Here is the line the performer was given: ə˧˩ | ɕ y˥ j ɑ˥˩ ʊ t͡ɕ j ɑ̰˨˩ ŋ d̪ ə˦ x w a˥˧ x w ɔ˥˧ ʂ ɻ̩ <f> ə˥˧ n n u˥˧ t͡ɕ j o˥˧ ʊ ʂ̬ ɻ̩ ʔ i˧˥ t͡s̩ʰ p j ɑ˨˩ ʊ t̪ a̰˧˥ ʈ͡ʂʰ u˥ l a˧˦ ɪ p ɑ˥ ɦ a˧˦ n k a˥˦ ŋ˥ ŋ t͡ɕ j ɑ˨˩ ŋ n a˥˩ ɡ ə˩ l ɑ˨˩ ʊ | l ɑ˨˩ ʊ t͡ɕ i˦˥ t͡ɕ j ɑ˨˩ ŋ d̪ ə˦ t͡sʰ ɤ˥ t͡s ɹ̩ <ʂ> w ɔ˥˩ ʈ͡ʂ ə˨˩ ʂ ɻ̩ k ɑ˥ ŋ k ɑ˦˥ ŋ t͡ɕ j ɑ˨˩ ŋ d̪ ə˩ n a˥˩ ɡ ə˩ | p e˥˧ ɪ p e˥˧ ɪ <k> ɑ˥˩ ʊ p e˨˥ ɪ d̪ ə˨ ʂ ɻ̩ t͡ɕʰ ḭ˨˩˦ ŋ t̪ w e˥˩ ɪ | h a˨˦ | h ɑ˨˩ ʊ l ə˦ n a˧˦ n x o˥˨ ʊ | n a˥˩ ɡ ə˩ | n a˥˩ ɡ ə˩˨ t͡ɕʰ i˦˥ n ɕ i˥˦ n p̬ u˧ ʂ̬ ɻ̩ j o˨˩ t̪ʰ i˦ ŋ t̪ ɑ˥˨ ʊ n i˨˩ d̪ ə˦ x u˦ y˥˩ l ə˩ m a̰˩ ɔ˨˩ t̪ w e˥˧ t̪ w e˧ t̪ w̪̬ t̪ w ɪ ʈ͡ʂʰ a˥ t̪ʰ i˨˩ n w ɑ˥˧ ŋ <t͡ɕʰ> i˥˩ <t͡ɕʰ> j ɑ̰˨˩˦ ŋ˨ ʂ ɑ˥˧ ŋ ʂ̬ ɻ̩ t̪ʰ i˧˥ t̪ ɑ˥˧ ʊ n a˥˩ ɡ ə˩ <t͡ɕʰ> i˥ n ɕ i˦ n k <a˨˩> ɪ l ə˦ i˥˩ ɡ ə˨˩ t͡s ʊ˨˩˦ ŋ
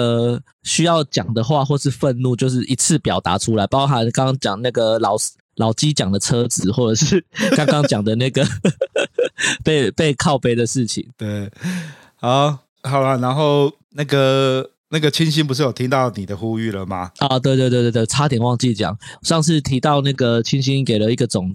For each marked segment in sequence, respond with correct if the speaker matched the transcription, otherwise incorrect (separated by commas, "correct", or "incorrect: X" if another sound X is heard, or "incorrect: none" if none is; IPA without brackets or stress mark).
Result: correct, incorrect: x, incorrect: kʰ, incorrect: t͡ɕ, incorrect: t͡ɕ, correct, incorrect: e˨˩